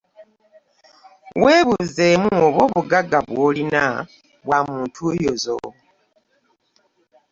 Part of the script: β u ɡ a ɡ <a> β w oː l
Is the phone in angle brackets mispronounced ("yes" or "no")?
no